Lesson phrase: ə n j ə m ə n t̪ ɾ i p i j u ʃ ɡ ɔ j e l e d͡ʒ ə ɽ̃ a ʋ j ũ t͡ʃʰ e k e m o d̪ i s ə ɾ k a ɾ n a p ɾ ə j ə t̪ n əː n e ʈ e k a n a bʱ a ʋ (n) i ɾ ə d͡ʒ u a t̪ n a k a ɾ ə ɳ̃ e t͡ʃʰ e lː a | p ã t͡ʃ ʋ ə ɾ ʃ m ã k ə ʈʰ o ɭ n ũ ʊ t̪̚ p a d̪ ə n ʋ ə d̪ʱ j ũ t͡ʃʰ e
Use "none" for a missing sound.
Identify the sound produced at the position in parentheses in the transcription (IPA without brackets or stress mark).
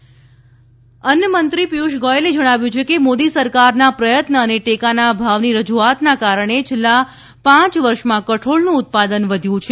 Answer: n